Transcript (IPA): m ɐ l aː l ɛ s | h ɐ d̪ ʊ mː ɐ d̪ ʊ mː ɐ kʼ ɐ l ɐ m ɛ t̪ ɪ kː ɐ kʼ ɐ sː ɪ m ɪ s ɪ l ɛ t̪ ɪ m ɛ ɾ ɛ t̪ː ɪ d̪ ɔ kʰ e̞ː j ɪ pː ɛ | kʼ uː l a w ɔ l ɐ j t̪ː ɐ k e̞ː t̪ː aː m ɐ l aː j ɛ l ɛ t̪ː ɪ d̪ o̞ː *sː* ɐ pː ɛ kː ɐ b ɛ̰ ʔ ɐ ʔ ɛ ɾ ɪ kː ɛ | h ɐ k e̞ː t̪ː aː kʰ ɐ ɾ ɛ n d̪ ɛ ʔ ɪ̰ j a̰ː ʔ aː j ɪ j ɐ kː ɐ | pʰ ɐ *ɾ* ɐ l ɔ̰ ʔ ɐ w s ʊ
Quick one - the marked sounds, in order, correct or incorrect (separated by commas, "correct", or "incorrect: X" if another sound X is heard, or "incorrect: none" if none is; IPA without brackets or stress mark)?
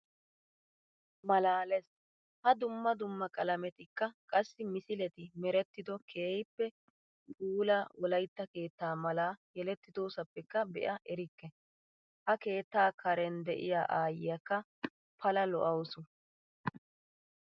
incorrect: s, incorrect: l